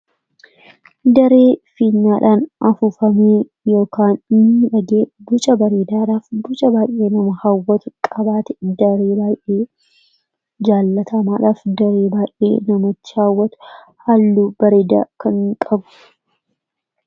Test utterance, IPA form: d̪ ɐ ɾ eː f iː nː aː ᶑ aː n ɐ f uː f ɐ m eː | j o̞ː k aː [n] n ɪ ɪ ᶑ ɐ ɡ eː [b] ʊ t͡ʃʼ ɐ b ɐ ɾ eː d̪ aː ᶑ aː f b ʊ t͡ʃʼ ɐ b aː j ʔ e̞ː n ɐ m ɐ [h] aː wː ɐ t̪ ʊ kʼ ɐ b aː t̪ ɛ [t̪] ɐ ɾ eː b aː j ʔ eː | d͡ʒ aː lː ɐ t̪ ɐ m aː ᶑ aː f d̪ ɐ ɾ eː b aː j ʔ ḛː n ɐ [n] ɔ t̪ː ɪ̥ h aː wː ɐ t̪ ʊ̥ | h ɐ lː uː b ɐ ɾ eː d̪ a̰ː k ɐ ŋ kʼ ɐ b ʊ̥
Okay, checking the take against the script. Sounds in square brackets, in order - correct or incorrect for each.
correct, correct, correct, incorrect: d̪, incorrect: m

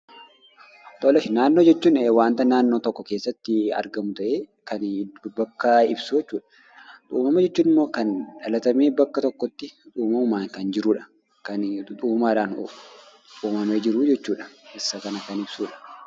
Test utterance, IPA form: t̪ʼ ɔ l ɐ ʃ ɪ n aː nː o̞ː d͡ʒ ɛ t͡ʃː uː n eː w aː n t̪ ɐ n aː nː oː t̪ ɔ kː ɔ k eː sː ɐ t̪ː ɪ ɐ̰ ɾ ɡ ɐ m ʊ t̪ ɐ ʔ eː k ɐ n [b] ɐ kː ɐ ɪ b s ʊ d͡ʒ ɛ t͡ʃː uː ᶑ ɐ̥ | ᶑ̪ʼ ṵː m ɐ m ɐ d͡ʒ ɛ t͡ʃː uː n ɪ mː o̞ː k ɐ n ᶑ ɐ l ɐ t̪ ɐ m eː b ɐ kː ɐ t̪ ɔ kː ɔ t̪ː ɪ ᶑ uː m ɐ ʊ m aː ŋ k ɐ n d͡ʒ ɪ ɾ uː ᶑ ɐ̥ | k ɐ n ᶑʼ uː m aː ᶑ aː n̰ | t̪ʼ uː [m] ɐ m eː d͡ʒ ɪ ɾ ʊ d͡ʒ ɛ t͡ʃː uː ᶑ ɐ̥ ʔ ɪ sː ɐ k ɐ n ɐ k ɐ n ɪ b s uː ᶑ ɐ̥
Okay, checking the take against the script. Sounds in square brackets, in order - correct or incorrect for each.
correct, correct

